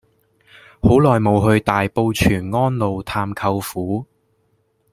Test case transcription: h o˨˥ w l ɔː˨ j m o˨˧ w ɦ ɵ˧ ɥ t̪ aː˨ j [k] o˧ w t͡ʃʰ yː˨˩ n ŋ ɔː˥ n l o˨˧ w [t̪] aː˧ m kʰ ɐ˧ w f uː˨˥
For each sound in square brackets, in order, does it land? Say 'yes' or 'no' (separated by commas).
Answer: no, no